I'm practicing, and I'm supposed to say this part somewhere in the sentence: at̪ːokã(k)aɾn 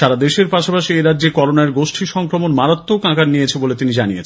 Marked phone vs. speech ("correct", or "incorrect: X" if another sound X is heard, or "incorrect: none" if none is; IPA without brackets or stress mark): correct